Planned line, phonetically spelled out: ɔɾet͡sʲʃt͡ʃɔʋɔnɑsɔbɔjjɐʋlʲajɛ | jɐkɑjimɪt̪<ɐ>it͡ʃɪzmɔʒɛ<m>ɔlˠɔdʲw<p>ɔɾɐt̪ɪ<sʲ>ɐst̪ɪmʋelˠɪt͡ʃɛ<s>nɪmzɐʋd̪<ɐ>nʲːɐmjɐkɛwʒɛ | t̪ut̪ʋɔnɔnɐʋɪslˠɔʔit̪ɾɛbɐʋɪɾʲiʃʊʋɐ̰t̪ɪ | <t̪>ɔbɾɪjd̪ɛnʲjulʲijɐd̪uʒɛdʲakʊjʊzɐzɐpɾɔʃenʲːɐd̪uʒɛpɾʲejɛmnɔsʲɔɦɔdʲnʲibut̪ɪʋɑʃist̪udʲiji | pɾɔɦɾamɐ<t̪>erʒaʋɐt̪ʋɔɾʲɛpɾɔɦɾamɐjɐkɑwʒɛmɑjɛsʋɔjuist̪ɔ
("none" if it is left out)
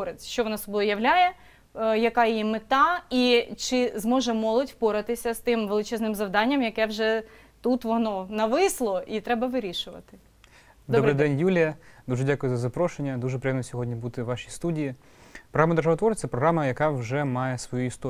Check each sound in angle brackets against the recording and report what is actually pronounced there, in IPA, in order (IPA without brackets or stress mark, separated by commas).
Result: ɑ, m, p, sʲ, z, ɑ, d̪, d̪